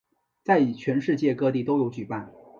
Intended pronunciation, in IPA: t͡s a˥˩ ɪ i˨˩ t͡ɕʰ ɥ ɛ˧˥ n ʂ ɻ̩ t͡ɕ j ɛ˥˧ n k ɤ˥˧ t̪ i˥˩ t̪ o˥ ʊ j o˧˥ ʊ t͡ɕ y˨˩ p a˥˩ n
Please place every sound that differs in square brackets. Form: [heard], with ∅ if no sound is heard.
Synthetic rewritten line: t͡s a˥˩ ɪ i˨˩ t͡ɕʰ ɥ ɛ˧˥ n ʂ ɻ̩ t͡ɕ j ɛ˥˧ [∅] k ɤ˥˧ t̪ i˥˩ t̪ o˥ ʊ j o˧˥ ʊ t͡ɕ y˨˩ p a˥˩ n